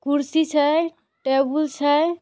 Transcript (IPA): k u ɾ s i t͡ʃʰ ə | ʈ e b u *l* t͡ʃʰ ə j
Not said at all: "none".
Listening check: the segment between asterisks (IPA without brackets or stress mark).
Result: l